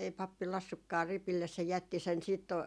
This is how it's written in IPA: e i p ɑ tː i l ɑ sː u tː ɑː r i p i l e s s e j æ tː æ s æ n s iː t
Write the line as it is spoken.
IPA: e i p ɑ pː i l ɑ sː u kː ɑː r i p i lː e s s e j æ tː i s e n s iː t